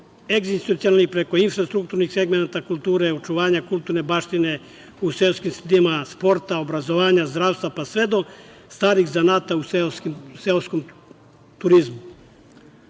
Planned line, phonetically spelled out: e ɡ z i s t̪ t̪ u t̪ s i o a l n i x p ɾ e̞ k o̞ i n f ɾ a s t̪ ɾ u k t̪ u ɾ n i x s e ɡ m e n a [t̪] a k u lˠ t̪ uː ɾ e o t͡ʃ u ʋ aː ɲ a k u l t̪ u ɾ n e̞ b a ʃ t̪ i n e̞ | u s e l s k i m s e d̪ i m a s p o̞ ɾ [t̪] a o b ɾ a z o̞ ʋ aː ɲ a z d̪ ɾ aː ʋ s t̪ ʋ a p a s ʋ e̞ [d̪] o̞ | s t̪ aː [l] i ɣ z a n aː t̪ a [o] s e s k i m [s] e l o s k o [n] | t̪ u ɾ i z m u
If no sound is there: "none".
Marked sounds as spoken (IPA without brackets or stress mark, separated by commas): t̪, t̪, d̪, ɾ, u, s, m